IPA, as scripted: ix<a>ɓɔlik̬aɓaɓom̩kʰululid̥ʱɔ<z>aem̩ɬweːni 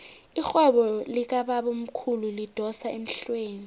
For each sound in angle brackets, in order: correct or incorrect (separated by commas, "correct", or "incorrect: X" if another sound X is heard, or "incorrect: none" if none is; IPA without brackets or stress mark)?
incorrect: ɛ, incorrect: s